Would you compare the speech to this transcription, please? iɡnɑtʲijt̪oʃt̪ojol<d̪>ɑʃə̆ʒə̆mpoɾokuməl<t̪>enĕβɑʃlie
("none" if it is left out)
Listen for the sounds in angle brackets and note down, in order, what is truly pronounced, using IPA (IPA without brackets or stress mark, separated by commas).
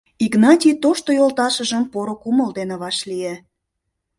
t̪, d̪